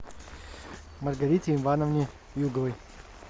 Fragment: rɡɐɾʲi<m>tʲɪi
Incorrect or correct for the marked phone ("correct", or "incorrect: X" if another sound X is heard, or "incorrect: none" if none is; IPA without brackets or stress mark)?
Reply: incorrect: none